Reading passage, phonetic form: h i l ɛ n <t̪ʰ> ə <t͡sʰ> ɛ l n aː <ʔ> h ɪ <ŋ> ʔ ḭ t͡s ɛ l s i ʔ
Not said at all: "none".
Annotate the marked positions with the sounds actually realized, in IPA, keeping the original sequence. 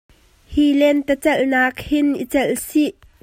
t̪, t͡s, k, n

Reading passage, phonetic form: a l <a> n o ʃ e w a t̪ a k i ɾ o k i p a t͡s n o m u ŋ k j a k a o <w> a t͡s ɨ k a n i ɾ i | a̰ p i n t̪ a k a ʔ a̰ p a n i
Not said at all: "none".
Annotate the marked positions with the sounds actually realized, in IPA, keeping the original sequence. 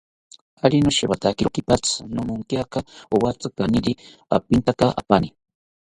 i, w

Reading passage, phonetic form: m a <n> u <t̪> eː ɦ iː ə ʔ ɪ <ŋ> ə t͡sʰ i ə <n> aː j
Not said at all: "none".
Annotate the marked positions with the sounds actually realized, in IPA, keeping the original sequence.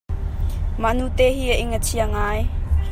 n, t̪, ŋ, ŋ

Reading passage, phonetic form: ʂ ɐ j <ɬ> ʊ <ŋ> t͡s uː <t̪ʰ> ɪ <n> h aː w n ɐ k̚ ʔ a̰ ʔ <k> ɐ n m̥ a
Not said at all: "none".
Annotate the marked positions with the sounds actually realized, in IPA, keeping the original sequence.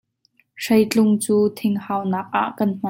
t͡ɬ, ŋ, t̪ʰ, ŋ, k

